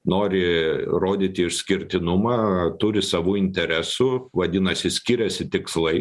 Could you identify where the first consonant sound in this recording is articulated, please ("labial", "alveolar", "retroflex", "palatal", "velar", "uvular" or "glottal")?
alveolar